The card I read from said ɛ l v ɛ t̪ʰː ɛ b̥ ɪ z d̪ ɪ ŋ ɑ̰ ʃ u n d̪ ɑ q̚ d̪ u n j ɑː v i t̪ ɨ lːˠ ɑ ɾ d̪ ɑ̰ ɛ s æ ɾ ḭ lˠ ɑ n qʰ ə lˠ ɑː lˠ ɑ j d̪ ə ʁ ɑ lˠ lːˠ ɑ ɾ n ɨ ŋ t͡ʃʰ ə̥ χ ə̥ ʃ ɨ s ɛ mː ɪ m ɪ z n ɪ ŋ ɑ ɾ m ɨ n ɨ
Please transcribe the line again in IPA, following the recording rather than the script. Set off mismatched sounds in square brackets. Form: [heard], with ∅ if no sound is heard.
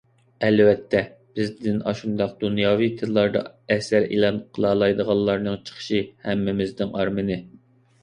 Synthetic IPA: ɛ l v ɛ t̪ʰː ɛ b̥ ɪ z d̪ ɪ [n] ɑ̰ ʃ u n d̪ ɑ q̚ d̪ u n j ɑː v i [t̪ʰ] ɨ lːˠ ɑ ɾ d̪ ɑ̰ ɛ s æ ɾ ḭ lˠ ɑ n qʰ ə lˠ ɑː lˠ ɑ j d̪ ə ʁ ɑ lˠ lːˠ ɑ ɾ n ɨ ŋ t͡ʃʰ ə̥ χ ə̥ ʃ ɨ [h] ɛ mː ɪ m ɪ z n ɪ ŋ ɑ ɾ m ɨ n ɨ

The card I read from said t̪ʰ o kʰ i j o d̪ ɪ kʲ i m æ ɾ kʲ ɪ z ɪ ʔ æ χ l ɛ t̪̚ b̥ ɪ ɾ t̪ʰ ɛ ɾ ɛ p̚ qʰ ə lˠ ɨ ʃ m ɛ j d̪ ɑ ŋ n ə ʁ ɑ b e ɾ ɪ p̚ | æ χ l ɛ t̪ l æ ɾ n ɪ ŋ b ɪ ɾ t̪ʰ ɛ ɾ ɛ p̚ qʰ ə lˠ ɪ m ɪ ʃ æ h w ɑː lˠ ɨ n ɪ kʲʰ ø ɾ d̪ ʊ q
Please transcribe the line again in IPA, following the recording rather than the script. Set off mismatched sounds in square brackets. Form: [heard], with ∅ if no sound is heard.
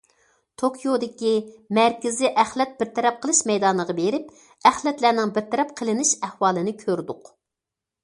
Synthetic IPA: t̪ʰ o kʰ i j o d̪ ɪ kʲ i m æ ɾ kʲ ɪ z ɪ ʔ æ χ l ɛ t̪̚ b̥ ɪ ɾ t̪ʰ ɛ ɾ ɛ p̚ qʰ ə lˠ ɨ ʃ m ɛ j d̪ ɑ [∅] n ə ʁ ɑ b e ɾ ɪ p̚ | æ χ l ɛ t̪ l æ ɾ n ɪ ŋ b ɪ ɾ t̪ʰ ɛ ɾ ɛ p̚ qʰ ə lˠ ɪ [n] ɪ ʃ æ h w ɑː lˠ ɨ n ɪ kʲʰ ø ɾ d̪ ʊ q

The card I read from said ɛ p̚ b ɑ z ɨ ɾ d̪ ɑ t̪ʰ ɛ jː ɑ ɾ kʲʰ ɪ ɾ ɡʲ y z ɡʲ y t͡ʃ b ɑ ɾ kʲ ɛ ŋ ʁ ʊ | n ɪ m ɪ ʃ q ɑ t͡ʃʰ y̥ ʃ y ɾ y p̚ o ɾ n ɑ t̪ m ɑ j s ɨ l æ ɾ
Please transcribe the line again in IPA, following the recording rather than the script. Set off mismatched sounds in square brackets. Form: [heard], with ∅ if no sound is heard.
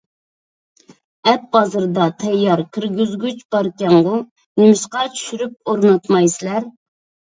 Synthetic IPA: ɛ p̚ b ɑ z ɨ ɾ d̪ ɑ t̪ʰ ɛ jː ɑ ɾ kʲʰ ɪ ɾ ɡʲ y z ɡʲ y t͡ʃ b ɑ ɾ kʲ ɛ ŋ ʁ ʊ | n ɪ m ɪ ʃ q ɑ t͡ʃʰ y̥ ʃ y ɾ y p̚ o ɾ n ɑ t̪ m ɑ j s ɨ l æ ɾ

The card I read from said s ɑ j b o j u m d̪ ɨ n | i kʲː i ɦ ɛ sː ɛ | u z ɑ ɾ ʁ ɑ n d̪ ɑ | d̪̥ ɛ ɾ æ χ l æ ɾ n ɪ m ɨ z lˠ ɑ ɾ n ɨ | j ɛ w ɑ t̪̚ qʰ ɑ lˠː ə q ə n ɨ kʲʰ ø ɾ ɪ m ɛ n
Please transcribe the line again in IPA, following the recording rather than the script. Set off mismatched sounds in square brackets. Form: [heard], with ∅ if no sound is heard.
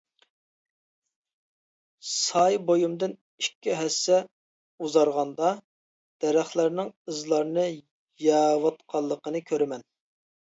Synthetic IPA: s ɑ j b o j u m d̪ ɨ n | i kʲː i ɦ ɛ sː ɛ | u z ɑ ɾ ʁ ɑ n d̪ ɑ | d̪̥ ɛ ɾ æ χ l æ ɾ n ɪ [ŋ] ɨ z lˠ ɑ ɾ n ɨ | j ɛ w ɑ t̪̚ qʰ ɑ lˠː ə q ə n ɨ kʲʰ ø ɾ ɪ m ɛ n

